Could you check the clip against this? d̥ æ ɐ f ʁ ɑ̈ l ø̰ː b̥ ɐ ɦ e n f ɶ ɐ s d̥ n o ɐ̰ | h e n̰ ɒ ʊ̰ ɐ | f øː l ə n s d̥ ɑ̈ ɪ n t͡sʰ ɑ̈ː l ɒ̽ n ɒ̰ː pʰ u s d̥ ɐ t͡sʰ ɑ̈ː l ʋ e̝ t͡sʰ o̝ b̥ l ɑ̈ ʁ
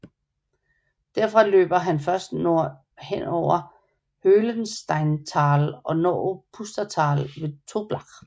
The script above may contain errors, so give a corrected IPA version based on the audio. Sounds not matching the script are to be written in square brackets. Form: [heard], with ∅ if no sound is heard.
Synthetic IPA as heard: d̥ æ ɐ f ʁ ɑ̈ l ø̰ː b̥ ɐ ɦ [æ] n f ɶ ɐ s d̥ n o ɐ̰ | h e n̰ ɒ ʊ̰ ɐ | [h] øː l ə n s d̥ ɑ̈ ɪ n t͡sʰ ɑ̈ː l ɒ̽ n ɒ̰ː pʰ u s d̥ ɐ t͡sʰ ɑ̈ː l ʋ e̝ t͡sʰ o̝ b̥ l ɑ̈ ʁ